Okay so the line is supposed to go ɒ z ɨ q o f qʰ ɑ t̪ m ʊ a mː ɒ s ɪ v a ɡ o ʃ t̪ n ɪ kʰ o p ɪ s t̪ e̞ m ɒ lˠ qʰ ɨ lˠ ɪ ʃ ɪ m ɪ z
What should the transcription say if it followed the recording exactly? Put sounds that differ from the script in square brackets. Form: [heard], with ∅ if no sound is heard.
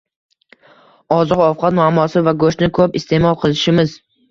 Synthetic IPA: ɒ z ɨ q [ɒ] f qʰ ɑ t̪ m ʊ a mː ɒ s ɪ v a ɡ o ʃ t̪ n ɪ kʰ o p ɪ s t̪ e̞ m ɒ lˠ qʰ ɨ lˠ ɪ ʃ ɪ m ɪ z